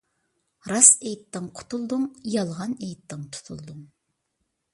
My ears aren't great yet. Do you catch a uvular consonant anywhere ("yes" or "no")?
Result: yes